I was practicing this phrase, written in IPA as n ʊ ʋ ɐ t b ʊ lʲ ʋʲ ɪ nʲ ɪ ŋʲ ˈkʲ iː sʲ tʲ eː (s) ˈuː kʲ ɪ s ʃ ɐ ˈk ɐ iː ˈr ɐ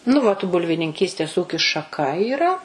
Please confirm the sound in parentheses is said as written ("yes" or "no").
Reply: yes